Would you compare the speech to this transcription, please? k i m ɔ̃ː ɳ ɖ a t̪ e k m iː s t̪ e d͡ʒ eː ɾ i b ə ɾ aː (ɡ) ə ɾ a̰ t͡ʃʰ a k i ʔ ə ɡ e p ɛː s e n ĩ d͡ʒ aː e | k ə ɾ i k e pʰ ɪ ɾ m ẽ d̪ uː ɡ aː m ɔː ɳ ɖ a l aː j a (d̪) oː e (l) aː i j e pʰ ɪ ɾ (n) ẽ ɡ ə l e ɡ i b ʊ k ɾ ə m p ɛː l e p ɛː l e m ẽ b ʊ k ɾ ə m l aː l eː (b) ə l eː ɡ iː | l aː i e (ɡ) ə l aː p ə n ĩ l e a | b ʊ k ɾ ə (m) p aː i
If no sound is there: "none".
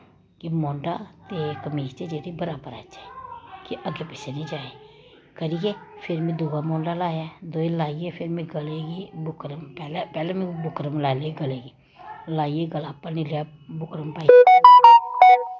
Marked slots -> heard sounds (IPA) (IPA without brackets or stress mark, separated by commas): b, d̪, l, m, ɡ, ɡ, m